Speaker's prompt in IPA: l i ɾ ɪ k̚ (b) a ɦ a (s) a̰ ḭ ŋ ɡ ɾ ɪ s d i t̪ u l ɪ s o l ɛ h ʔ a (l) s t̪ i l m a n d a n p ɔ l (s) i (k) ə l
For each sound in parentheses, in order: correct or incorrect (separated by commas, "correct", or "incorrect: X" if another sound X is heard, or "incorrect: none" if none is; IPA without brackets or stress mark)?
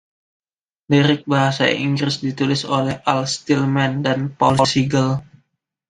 correct, correct, correct, correct, incorrect: ɡ